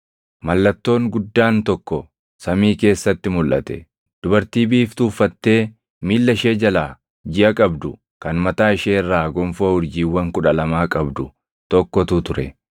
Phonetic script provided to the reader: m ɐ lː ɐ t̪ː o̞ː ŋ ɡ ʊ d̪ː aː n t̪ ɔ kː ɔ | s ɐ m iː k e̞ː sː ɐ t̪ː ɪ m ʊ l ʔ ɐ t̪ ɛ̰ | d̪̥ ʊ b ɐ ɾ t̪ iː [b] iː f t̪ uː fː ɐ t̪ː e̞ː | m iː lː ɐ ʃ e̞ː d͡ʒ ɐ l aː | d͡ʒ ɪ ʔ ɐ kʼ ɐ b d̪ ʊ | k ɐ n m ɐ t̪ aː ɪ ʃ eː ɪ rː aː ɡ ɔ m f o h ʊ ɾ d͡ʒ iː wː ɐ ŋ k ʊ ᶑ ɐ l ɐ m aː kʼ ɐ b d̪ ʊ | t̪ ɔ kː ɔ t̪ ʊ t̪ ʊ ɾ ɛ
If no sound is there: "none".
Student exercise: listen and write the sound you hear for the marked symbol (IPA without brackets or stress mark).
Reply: b